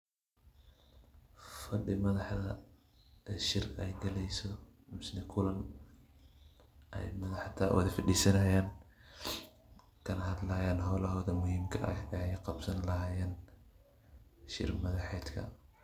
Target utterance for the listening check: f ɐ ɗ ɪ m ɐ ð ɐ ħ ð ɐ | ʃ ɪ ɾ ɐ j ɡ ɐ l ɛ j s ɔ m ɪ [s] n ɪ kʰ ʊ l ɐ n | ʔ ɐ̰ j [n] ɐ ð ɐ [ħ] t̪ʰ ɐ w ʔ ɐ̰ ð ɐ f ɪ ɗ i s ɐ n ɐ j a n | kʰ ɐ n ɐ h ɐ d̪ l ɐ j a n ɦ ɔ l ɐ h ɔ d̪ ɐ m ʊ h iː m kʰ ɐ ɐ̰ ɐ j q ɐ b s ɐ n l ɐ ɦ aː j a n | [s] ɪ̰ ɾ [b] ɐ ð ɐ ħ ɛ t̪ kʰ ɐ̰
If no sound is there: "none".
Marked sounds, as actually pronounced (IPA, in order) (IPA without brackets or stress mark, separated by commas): s, m, ħ, ʃ, m